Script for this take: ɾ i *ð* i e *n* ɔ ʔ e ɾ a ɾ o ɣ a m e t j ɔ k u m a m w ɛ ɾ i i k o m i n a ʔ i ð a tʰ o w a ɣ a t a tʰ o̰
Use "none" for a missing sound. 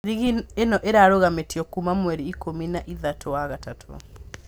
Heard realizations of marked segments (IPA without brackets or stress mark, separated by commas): ɣ, n